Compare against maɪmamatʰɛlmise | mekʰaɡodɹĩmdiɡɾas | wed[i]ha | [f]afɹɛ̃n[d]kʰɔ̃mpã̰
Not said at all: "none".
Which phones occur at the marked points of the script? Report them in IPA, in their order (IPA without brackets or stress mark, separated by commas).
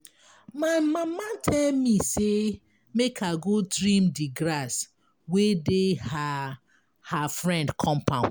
e, h, d